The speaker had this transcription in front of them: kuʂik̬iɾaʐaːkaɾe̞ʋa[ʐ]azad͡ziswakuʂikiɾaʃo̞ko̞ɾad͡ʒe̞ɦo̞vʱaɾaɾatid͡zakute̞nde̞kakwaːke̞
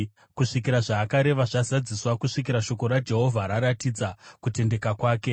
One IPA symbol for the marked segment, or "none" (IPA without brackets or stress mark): ʐ